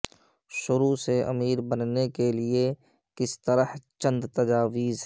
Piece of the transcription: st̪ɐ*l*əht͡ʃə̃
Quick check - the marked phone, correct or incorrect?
incorrect